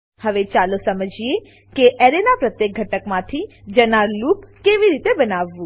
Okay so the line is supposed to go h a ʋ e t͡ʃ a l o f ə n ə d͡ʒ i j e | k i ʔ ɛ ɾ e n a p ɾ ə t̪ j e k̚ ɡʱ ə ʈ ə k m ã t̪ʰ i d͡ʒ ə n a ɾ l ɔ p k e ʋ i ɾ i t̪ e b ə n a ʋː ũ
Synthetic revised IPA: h ə ʋ e t͡ʃ a l o s ə m ə d͡ʒ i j e | k e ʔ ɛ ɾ e n a p ɾ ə t̪ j e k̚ ɡʱ ə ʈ ə k m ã t̪ʰ i d͡ʒ ə n a ɾ l u p k e ʋ i ɾ i t̪ e b ə n a ʋː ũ